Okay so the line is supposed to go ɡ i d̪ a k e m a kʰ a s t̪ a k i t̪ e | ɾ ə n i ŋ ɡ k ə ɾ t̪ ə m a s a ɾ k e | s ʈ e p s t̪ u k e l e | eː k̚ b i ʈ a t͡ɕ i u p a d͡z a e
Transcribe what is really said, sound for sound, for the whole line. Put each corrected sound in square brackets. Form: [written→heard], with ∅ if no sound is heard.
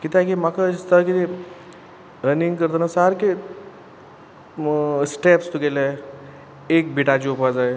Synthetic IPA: [ɡ→k] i [d̪→t̪] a k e m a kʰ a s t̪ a k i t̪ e | ɾ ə n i ŋ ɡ k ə ɾ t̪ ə [m→n] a s a ɾ k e | s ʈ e p s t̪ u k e l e | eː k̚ b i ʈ a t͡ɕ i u p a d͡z a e